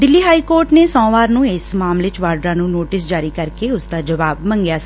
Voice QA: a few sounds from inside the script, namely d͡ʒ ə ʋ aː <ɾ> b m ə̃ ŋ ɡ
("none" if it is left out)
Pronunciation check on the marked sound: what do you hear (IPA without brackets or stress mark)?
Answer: none